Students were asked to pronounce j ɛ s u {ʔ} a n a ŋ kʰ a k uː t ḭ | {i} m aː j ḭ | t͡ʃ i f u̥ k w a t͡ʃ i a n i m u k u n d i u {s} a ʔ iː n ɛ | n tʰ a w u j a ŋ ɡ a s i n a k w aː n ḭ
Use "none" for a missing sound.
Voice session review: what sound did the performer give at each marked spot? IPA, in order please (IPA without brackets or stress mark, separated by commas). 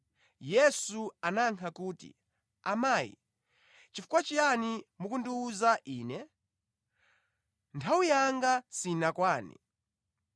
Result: none, a, z